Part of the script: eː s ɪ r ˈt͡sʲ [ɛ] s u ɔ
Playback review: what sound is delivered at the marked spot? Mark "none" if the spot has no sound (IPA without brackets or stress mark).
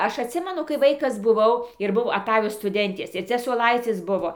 ɛ